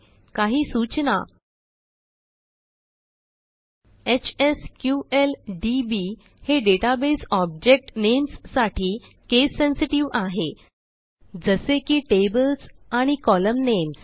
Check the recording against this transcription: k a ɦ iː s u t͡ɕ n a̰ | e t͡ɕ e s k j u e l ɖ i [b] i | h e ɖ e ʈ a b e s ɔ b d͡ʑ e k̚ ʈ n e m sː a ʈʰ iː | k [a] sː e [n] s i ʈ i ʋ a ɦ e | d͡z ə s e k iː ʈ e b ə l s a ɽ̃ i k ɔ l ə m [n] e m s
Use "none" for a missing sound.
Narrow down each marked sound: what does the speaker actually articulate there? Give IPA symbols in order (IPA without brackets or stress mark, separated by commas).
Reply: b, e, n, n